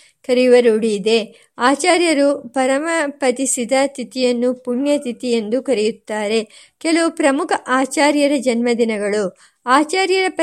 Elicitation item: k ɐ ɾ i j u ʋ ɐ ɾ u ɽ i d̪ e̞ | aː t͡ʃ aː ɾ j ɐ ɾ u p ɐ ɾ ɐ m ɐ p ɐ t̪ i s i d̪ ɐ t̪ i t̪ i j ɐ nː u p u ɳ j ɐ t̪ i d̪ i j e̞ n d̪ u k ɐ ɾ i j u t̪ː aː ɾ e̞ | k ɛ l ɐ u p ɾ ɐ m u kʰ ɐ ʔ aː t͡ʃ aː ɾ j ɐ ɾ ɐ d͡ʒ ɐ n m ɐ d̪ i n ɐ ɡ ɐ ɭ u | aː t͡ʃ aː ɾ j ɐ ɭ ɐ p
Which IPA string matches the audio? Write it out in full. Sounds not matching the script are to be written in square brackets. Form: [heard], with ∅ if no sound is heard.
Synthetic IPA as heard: k ɐ ɾ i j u ʋ ɐ ɾ u ɽ i d̪ e̞ | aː t͡ʃ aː ɾ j ɐ ɾ u p ɐ ɾ ɐ m ɐ p ɐ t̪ i s i d̪ ɐ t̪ i t̪ i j ɐ nː u p u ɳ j ɐ t̪ i [t̪] i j e̞ n d̪ u k ɐ ɾ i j u t̪ː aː ɾ e̞ | k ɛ l ɐ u p ɾ ɐ m u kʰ ɐ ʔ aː t͡ʃ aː ɾ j ɐ ɾ ɐ d͡ʒ ɐ n m ɐ d̪ i n ɐ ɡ ɐ ɭ u | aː t͡ʃ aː ɾ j ɐ [ɾ] ɐ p